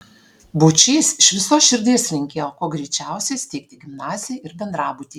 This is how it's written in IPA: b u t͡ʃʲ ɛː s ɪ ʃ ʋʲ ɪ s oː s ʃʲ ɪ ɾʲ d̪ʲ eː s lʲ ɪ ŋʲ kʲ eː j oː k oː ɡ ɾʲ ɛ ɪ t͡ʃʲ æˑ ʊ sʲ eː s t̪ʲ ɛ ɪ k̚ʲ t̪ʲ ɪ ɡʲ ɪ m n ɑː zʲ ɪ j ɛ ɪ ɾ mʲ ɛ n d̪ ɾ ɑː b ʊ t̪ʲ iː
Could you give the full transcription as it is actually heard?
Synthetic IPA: b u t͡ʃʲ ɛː s ɪ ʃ ʋʲ ɪ s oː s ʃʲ ɪ ɾʲ d̪ʲ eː s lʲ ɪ ŋʲ kʲ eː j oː k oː ɡ ɾʲ ɛ ɪ t͡ʃʲ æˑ ʊ sʲ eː s t̪ʲ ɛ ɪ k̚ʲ t̪ʲ ɪ ɡʲ ɪ m n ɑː zʲ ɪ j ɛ ɪ ɾ bʲ ɛ n d̪ ɾ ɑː b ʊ t̪ʲ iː